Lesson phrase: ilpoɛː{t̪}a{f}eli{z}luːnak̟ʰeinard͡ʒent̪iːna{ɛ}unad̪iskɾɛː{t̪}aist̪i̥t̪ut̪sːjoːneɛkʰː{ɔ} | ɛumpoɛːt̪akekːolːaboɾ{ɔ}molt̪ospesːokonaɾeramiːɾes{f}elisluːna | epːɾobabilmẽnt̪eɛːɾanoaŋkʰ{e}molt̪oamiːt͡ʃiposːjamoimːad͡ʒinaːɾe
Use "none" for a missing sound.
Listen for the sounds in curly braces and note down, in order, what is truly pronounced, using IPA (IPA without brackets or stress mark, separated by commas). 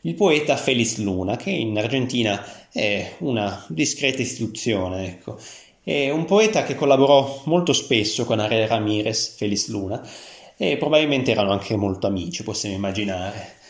t̪, f, s, ɛ, t̪, o, ɔ, f, e